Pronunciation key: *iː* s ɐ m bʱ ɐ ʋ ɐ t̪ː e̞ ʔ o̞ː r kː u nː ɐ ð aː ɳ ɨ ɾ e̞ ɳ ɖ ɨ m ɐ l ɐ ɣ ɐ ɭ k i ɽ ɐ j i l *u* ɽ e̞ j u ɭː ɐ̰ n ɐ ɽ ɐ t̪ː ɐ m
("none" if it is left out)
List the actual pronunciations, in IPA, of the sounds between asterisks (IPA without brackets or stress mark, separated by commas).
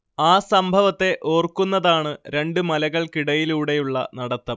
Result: aː, uː